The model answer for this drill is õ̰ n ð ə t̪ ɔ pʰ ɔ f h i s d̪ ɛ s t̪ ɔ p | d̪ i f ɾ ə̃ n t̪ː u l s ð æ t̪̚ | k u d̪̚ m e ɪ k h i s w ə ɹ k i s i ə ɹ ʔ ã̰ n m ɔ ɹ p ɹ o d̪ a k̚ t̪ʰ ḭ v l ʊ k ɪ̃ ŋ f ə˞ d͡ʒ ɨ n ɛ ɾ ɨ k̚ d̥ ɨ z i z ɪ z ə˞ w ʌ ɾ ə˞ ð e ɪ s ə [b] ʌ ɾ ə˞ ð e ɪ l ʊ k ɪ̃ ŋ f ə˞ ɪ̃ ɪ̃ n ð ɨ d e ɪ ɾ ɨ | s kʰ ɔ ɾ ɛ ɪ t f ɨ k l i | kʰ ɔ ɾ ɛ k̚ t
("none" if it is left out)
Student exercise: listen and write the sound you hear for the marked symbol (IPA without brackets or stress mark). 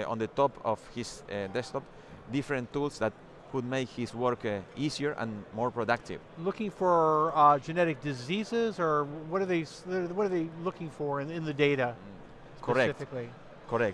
w